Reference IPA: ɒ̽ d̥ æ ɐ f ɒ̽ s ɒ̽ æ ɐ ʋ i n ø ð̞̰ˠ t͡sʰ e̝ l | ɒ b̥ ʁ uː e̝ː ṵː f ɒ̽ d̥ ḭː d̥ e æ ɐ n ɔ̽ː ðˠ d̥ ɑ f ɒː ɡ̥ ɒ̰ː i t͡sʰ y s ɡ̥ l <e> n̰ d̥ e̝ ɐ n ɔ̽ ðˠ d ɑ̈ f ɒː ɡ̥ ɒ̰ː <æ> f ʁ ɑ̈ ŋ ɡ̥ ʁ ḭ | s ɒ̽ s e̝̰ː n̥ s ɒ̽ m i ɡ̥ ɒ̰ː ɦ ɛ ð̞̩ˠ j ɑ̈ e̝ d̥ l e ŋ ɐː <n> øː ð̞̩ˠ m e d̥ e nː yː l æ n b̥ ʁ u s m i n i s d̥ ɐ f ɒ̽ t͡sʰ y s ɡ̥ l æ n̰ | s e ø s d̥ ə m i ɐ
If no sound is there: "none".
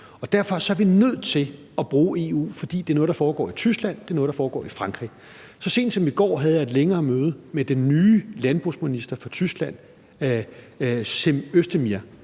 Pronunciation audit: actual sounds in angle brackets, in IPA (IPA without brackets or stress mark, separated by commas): æ, i, m